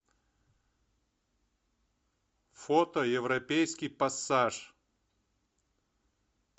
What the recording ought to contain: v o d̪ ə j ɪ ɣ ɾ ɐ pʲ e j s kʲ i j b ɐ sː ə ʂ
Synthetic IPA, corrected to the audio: f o t̪ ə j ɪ v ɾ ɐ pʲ e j s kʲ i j p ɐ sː a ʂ